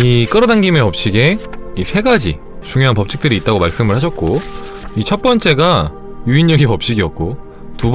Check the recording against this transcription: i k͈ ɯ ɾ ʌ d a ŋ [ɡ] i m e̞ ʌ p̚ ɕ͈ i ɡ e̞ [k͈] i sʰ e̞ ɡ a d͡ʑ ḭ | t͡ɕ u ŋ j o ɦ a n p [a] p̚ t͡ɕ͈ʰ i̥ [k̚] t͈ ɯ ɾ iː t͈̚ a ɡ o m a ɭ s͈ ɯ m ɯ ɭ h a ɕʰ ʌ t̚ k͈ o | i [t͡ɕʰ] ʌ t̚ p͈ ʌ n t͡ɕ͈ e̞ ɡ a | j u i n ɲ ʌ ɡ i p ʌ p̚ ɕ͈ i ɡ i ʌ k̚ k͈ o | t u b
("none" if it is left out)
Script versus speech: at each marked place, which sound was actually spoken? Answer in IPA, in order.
ɡ, none, ʌ, k̚, t͡ɕʰ

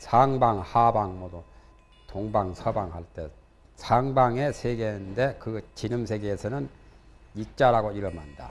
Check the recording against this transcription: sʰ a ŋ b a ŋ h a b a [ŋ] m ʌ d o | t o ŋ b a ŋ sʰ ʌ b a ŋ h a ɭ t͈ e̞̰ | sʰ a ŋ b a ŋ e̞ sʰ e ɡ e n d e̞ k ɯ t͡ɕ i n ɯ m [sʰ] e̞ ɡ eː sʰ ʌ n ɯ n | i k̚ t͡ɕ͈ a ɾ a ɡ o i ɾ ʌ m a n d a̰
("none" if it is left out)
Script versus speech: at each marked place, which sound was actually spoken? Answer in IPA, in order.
ŋ, sʰ

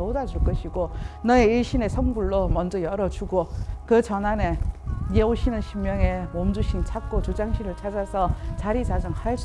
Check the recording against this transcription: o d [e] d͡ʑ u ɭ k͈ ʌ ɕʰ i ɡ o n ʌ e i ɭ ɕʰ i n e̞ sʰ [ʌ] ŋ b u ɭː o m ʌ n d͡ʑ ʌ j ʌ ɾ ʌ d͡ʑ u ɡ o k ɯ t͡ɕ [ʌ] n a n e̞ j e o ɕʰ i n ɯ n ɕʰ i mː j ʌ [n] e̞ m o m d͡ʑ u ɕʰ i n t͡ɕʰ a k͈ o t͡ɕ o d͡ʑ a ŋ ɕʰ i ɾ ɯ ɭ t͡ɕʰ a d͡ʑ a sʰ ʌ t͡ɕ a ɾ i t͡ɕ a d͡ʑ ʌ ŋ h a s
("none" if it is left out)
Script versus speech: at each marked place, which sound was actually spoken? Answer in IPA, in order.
a, ʌ, ʌ, ŋ

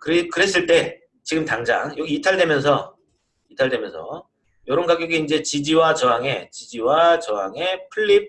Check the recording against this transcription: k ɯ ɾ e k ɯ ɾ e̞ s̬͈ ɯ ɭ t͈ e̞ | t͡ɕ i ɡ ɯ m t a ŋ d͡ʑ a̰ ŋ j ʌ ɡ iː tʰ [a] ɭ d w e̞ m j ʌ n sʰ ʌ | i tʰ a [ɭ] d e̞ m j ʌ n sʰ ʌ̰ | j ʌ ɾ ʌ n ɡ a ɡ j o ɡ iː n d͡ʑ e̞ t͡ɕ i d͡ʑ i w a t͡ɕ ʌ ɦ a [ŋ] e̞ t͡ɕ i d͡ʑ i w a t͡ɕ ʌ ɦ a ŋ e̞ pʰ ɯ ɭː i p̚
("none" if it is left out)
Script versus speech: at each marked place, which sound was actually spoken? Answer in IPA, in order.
a, ɭ, ŋ

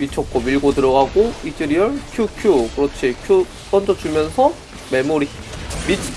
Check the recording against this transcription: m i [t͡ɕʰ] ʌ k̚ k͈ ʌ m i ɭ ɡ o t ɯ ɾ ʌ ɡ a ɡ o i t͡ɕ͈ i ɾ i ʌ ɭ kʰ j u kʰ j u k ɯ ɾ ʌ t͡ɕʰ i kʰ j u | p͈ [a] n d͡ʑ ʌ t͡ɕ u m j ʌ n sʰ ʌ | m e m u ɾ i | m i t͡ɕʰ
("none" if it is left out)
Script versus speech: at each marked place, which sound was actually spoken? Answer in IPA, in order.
t͡ɕʰ, ʌ

